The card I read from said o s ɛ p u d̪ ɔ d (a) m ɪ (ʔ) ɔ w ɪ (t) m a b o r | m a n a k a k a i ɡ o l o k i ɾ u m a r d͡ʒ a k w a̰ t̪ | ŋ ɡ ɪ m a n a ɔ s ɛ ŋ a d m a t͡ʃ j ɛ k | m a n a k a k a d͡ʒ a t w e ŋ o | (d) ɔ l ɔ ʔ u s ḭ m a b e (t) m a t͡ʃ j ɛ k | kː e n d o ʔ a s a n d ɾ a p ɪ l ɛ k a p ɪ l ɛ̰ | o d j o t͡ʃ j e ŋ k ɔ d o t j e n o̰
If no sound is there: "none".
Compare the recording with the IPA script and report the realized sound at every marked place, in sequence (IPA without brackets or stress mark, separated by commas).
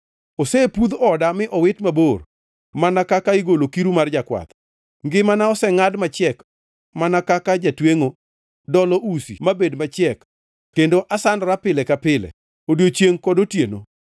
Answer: a, ʔ, t, d, d